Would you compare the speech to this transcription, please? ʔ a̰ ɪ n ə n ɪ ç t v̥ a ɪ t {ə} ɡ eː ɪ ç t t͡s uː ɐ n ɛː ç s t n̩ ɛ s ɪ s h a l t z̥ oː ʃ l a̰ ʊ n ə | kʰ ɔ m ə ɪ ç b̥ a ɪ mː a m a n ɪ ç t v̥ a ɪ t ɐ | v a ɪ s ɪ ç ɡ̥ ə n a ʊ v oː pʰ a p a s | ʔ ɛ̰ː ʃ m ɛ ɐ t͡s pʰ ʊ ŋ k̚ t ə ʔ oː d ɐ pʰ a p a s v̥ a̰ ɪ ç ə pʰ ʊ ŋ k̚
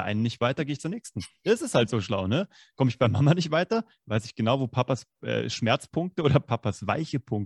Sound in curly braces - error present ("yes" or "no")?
yes